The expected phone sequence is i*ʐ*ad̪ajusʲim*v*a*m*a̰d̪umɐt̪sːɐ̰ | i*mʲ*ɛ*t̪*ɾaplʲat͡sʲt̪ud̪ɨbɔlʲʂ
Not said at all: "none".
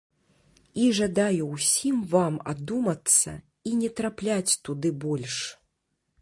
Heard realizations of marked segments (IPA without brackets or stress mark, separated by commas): ʐ, v, m, nʲ, t̪